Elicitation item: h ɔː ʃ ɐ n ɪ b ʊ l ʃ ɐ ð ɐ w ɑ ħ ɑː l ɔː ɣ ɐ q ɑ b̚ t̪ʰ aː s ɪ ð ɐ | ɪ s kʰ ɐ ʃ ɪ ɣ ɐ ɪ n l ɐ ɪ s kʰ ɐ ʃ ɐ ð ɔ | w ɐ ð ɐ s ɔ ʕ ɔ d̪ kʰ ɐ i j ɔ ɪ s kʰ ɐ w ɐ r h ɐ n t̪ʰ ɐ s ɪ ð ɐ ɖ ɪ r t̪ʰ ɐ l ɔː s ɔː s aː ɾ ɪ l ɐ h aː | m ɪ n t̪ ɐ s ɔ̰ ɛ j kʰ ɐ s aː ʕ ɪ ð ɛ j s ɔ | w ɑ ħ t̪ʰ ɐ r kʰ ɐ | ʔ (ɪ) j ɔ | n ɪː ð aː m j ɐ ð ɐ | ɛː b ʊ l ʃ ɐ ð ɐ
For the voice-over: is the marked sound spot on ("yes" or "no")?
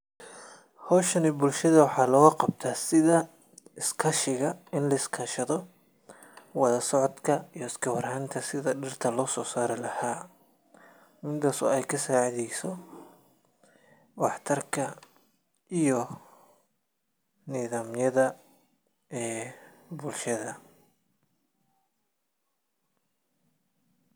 no